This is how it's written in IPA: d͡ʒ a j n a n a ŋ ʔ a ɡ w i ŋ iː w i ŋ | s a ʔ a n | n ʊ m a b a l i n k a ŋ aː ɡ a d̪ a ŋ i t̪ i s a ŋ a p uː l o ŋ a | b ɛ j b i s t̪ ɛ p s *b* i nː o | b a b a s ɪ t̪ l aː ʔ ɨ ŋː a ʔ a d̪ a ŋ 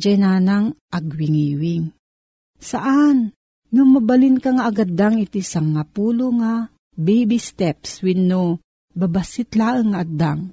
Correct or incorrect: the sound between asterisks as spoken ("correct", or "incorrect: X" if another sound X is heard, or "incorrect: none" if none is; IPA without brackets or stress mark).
incorrect: w